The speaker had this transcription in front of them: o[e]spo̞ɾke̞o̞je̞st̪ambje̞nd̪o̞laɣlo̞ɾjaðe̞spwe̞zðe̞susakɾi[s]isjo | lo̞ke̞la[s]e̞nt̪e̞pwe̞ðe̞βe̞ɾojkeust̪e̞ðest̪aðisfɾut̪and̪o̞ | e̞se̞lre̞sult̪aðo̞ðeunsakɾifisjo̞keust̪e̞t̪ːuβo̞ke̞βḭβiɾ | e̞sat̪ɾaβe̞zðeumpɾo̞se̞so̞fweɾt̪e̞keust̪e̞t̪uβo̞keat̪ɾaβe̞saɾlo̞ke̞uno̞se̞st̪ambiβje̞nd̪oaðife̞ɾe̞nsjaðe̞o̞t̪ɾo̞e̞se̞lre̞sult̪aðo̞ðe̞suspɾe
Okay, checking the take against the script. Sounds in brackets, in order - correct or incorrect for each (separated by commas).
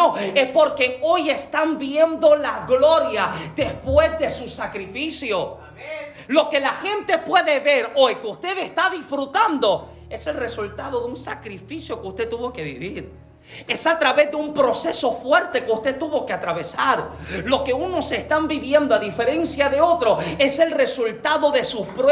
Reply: correct, incorrect, incorrect